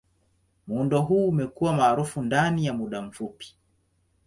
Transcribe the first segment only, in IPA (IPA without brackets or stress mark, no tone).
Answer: m